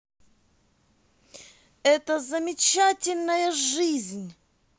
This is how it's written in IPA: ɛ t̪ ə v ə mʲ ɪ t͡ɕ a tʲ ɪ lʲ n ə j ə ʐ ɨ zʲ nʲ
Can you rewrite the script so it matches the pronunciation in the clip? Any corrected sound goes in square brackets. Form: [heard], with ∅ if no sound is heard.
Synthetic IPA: ɛ t̪ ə [z] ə mʲ ɪ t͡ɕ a tʲ ɪ lʲ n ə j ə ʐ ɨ zʲ nʲ